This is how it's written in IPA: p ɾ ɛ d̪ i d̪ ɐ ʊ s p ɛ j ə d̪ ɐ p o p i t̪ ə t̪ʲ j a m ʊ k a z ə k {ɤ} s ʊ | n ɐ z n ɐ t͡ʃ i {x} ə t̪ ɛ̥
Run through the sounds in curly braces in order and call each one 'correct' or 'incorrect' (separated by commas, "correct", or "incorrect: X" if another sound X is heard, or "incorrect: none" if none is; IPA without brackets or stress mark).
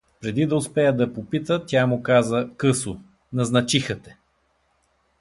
correct, correct